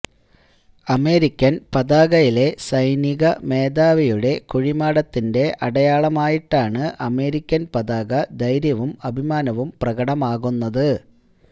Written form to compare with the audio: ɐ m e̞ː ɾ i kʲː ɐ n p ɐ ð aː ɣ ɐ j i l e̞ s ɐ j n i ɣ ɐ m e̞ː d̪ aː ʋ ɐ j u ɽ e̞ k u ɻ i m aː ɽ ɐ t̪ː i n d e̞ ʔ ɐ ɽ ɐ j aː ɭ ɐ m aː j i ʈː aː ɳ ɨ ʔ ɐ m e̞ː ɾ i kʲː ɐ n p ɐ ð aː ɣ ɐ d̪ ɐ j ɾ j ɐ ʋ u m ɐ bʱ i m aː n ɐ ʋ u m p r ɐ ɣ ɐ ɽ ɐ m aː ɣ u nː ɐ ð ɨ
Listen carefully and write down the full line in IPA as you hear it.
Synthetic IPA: ɐ m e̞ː ɾ i kʲː ɐ n p ɐ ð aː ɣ ɐ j i l e̞ s ɐ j n i ɣ ɐ m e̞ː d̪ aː ʋ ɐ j u ɽ e̞ k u ɻ i m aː ɽ ɐ t̪ː i n d e̞ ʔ ɐ ɽ ɐ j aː ɭ ɐ m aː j i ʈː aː ɳ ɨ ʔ ɐ m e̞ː ɾ i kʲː ɐ n p ɐ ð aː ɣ ɐ d̪ ɐ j ɾ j ɐ ʋ u m ɐ bʱ i m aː n ɐ ʋ u m p r ɐ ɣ ɐ ɽ ɐ m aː ɣ u nː ɐ ð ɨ